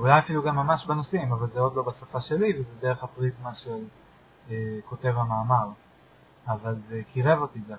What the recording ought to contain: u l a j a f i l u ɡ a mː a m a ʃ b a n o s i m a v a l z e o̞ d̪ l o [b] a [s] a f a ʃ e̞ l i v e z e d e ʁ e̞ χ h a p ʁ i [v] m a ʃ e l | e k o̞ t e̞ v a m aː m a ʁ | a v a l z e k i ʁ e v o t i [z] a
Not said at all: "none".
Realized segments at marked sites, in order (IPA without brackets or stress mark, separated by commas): b, s, z, z